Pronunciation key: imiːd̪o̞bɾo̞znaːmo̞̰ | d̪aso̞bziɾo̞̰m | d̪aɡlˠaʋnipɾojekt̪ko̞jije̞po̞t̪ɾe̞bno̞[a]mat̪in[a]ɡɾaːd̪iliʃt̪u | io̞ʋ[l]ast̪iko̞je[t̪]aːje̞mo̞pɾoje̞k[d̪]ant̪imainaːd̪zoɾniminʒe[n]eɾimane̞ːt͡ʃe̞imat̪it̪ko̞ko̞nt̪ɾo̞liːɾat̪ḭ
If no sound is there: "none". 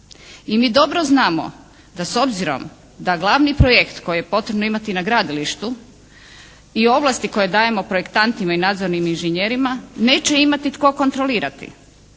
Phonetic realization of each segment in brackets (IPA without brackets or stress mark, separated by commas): i, a, l, d̪, t̪, ɲ